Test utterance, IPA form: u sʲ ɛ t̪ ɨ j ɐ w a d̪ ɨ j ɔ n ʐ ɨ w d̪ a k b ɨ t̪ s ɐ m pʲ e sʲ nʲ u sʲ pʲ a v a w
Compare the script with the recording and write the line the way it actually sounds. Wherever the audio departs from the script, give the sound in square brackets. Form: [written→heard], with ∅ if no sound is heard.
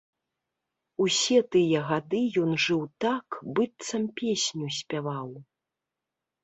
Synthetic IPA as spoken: u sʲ ɛ t̪ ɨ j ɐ [w→ɣ] a d̪ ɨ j ɔ n ʐ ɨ w [d̪→t̪] a k b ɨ t̪ s ɐ m pʲ e sʲ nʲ u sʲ pʲ a v a w